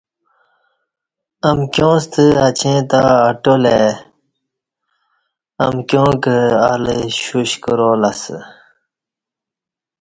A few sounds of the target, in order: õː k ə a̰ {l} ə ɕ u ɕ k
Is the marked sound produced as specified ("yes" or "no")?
yes